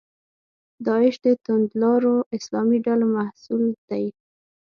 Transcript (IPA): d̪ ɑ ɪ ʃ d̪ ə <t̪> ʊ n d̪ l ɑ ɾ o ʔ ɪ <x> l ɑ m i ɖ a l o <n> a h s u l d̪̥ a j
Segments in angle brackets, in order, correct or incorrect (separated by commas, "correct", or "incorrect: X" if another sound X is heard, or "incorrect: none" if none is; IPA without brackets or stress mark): correct, incorrect: s, incorrect: m